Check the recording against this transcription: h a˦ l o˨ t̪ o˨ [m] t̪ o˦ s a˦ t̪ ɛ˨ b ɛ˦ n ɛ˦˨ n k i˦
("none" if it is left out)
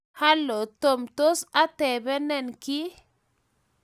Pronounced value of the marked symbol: m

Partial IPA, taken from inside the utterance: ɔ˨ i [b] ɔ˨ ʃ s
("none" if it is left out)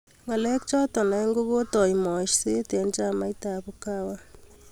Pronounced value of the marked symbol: m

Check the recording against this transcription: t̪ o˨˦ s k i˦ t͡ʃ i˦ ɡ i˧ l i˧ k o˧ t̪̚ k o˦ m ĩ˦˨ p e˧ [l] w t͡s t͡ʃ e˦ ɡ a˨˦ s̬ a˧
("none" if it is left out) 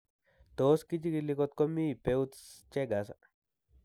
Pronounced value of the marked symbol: none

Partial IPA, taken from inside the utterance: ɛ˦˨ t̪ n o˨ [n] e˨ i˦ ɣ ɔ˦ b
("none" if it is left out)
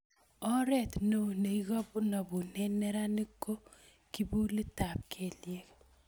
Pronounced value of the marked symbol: n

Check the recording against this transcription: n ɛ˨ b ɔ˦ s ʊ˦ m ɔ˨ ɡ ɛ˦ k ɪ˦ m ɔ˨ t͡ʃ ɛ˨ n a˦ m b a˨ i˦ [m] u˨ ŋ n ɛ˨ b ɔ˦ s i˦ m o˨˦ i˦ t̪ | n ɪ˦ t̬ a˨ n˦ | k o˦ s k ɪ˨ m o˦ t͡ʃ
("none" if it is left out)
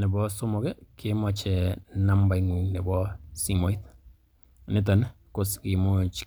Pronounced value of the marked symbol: ŋ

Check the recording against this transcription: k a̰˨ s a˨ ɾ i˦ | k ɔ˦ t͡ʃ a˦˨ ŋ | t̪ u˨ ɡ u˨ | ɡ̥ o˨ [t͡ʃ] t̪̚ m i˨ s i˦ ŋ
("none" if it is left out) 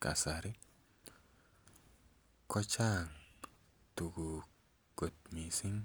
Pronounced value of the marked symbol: none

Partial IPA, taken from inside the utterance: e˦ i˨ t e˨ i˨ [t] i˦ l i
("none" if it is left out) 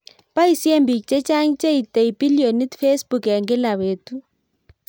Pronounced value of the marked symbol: p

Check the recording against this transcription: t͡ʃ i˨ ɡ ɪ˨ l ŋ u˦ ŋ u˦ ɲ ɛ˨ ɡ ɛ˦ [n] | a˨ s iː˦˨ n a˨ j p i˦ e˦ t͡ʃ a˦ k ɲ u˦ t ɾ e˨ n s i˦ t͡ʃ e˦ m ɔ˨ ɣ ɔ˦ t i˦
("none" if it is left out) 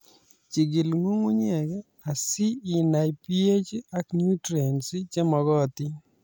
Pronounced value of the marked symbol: none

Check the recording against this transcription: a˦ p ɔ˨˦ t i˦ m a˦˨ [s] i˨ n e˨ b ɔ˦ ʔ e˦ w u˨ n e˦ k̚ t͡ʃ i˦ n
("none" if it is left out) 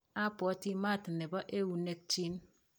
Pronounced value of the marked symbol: t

